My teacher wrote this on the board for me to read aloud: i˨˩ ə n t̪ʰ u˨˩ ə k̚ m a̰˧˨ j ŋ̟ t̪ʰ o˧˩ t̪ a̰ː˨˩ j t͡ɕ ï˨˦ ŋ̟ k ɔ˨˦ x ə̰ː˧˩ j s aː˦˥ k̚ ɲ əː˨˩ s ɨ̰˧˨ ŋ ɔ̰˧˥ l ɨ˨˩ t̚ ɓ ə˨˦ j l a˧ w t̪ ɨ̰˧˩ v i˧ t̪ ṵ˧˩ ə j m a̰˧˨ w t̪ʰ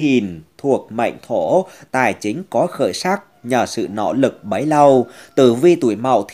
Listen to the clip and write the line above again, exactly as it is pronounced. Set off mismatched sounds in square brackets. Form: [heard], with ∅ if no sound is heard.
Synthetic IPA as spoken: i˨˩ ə n t̪ʰ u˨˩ ə k̚ m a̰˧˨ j ŋ̟ t̪ʰ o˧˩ t̪ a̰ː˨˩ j t͡ɕ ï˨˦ ŋ̟ k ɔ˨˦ x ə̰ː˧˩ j s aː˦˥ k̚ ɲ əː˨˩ s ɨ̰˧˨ [n] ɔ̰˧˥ l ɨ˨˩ [k̚] ɓ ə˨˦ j l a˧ w t̪ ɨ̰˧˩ v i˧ t̪ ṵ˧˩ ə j m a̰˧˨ w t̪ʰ

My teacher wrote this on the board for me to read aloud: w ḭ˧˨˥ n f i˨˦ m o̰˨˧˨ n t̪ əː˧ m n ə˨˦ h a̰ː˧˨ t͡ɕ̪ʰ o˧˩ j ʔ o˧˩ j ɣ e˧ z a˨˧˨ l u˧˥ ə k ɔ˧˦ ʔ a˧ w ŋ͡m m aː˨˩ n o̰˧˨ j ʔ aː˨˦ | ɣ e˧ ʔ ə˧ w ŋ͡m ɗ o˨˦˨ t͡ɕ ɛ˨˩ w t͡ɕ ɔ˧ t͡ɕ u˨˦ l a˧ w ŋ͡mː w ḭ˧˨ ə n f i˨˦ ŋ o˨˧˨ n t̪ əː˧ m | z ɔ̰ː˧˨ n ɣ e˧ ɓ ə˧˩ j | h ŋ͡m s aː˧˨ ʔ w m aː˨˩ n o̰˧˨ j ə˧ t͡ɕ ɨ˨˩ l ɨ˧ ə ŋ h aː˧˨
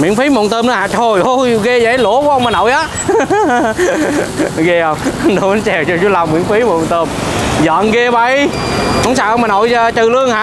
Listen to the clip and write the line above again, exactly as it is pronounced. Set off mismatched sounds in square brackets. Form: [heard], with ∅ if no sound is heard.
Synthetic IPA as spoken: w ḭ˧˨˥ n f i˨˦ m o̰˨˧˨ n t̪ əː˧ m n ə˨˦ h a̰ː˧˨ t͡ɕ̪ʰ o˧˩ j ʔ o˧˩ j ɣ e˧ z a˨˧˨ l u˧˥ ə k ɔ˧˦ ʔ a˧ w ŋ͡m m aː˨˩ n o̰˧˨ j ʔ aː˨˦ | ɣ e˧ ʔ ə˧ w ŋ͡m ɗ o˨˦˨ t͡ɕ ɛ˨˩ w t͡ɕ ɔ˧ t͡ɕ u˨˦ l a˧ w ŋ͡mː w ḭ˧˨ ə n f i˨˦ [m] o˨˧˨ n t̪ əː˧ m | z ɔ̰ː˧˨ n ɣ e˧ ɓ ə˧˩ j | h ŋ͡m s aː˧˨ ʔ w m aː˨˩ n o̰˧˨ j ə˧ t͡ɕ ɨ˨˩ l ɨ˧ ə ŋ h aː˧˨

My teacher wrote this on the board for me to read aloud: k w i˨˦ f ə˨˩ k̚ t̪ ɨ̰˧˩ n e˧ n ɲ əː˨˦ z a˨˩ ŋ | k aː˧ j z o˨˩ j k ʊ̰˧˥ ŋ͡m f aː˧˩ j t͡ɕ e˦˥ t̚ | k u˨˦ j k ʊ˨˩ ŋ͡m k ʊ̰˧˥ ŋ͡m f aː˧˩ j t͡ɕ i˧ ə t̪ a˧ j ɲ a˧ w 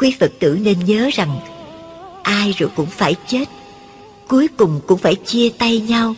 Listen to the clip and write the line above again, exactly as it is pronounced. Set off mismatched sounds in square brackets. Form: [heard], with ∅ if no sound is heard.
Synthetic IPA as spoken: k w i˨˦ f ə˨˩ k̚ t̪ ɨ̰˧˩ n e˧ n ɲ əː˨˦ z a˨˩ ŋ | [ʔ] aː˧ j z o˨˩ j k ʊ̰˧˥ ŋ͡m f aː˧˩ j t͡ɕ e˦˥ t̚ | k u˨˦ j k ʊ˨˩ ŋ͡m k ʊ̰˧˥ ŋ͡m f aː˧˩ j t͡ɕ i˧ ə t̪ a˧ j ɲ a˧ w

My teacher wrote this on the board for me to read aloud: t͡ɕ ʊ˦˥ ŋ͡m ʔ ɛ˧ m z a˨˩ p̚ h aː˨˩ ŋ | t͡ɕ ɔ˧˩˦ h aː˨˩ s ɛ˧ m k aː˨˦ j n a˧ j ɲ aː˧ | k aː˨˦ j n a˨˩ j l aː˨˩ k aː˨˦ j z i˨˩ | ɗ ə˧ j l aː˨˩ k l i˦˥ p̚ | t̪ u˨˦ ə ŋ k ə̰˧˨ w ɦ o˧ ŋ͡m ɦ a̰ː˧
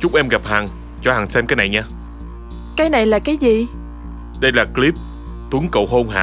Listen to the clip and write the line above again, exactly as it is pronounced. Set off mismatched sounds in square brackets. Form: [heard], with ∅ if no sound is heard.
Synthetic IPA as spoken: t͡ɕ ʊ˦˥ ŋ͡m ʔ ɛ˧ m [ɣ] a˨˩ p̚ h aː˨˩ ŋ | t͡ɕ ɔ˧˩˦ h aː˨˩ s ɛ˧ m k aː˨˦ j n [a˨˩] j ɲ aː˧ | k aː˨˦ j n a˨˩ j l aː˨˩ k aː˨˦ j z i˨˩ | ɗ ə˧ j l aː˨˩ k l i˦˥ p̚ | t̪ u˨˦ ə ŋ k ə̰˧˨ w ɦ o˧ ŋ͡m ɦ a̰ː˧

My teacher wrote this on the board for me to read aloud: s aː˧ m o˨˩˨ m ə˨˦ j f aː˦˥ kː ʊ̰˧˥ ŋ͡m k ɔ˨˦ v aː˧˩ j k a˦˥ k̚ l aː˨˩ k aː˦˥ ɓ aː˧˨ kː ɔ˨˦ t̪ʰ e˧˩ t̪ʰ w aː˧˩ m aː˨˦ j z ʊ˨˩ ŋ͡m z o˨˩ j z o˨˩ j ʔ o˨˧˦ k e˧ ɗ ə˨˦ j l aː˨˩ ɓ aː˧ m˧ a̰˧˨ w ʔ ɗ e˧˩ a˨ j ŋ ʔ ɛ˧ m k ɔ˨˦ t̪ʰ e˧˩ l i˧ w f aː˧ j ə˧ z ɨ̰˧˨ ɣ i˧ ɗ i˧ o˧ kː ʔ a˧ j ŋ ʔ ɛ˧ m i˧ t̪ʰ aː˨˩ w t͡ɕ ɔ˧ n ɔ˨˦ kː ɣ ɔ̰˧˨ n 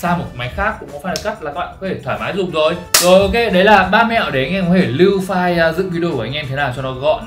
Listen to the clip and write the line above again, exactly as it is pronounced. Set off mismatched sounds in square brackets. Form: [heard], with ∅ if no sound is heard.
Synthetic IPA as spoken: s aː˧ m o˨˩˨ m [a˨˦] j [x] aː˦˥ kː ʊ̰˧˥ ŋ͡m k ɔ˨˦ [f] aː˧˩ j k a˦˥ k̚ l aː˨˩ k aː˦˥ ɓ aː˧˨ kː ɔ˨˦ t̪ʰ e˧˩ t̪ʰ w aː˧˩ m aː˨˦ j z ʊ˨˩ ŋ͡m z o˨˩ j z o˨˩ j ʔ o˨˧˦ k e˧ ɗ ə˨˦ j l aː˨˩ ɓ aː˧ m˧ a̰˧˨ w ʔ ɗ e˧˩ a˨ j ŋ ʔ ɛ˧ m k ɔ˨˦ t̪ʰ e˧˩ l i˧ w f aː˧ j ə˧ z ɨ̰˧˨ [v] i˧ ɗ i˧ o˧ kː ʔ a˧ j ŋ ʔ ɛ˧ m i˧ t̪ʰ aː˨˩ w t͡ɕ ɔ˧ n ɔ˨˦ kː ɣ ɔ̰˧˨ n

